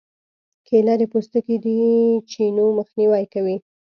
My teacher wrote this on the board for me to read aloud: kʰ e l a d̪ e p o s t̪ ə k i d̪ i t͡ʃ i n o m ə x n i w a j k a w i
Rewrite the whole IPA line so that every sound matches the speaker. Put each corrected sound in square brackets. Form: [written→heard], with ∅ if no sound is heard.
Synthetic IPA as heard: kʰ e l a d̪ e p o s t̪ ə k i d̪ i t͡ʃ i n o m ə x n i w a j k a w i